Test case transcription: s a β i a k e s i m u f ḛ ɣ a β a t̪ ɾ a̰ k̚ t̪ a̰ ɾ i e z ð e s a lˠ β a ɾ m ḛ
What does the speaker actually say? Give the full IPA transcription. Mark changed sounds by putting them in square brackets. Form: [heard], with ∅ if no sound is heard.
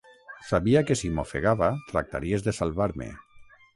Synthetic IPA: s a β i a k e s i m [o] f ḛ ɣ a β a t̪ ɾ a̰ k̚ t̪ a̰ ɾ i e z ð e s a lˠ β a ɾ m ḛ

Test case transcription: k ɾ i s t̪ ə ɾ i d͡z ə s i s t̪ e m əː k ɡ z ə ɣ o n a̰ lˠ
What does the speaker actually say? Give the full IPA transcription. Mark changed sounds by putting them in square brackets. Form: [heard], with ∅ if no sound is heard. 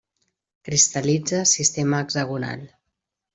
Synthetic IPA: k ɾ i s t̪ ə [l] i d͡z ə s i s t̪ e m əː [∅] ɡ z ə ɣ [u] n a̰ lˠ

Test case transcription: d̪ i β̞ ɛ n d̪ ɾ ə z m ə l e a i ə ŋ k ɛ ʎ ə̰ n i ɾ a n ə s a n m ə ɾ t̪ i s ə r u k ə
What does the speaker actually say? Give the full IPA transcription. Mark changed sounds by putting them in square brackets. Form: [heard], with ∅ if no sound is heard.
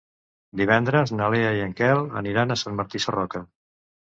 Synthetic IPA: d̪ i β̞ ɛ n d̪ ɾ ə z [n] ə l e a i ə ŋ k ɛ [l] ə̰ n i ɾ a n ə s a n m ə ɾ t̪ i s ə r [ɔ] k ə

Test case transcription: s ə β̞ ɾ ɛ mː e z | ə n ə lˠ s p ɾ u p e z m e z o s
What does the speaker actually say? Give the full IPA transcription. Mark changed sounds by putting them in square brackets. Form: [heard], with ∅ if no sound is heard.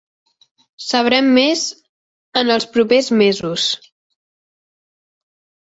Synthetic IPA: s ə β̞ ɾ ɛ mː e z | ə n ə lˠ s p ɾ u p e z m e z [u] s

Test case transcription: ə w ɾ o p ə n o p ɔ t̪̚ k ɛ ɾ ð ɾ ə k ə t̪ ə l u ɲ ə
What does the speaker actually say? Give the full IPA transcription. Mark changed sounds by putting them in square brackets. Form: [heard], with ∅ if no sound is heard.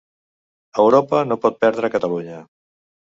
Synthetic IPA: ə w ɾ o p ə n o p ɔ t̪̚ [p] ɛ ɾ ð ɾ ə k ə t̪ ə l u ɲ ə

